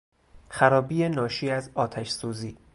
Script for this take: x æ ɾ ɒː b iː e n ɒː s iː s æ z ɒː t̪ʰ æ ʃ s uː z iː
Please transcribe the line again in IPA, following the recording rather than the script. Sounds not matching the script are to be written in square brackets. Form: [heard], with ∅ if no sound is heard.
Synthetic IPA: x æ ɾ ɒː b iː e n ɒː [ʃ] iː [∅] æ z ɒː t̪ʰ æ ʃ s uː z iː